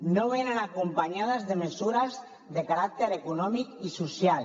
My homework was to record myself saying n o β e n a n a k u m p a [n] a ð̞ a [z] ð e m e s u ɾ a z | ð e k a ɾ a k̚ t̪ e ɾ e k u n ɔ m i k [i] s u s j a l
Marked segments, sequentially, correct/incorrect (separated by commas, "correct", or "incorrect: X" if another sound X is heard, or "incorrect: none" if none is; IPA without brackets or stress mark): incorrect: ɲ, correct, correct